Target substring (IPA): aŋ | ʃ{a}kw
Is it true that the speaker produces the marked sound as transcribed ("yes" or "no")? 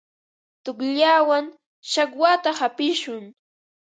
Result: yes